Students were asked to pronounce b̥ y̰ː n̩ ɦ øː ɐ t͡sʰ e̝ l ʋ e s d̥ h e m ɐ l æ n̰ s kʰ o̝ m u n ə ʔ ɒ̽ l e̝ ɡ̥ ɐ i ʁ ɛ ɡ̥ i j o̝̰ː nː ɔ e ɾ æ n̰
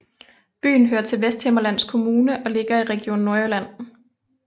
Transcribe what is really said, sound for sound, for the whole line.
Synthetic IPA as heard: b̥ y̰ː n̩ ɦ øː ɐ t͡sʰ e̝ l ʋ e s d̥ h e m ɐ l æ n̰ s kʰ o̝ m uː n ə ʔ ɒ̽ l e̝ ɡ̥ ɐ i ʁ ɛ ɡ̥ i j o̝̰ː nː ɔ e l æ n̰